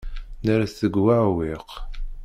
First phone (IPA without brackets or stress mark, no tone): n